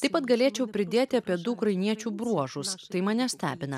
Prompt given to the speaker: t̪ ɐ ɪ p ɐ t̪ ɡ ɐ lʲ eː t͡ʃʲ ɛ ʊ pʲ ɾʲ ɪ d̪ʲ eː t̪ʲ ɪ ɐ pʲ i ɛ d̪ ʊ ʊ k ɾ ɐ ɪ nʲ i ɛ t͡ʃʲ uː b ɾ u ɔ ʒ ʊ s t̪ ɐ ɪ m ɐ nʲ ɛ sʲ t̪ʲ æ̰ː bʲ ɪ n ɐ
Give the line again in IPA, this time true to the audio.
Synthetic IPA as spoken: t̪ ɐ ɪ p ɐ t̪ ɡ ɐ lʲ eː t͡ʃʲ ɛ ʊ pʲ ɾʲ ɪ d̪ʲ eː t̪ʲ ɪ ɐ pʲ i ɛ d̪ ʊ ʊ k ɾ ɐ ɪ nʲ i ɛ t͡ʃʲ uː b ɾ u ɔ ʒ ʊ s t̪ ɐ ɪ m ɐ nʲ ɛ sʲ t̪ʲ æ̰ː bʲ ɪ n ɐ